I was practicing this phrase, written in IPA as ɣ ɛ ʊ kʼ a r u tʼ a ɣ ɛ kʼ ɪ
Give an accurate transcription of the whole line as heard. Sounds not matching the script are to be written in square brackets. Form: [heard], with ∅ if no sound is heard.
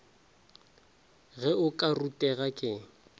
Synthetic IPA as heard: ɣ ɛ ʊ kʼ a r u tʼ [ɛ] ɣ [a] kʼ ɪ